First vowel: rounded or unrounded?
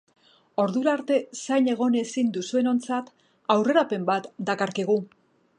rounded